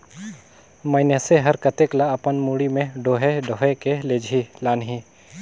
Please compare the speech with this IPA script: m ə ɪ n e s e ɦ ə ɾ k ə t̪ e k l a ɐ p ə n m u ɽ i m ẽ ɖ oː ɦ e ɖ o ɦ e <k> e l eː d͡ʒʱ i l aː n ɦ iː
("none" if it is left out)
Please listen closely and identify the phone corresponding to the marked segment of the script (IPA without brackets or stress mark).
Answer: k